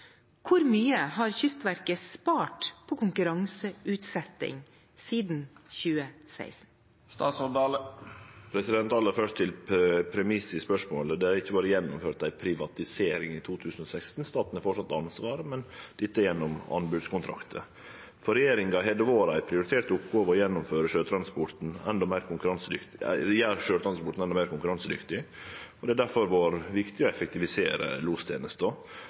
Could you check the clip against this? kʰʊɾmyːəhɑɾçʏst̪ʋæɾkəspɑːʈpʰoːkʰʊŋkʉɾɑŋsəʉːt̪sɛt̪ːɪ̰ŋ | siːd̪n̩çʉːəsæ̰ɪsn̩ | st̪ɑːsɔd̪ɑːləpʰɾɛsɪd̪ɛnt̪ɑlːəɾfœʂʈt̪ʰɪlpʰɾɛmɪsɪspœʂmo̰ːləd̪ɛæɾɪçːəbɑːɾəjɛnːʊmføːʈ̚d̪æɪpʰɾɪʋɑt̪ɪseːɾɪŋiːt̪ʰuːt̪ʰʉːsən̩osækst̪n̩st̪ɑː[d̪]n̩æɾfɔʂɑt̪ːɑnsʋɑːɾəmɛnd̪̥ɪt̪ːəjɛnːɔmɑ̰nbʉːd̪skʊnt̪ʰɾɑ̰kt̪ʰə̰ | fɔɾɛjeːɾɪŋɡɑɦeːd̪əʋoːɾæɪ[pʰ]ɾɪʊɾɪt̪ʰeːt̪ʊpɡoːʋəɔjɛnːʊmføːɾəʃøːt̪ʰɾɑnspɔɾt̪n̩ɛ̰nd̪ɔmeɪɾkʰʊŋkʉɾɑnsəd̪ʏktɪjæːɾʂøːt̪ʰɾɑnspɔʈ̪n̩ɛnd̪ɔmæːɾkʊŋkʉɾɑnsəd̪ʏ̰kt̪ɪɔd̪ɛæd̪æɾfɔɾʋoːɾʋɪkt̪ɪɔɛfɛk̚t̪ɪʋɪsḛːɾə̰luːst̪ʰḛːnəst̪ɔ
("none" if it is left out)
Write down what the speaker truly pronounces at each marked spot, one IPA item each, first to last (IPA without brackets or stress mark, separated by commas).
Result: t̪, pʰ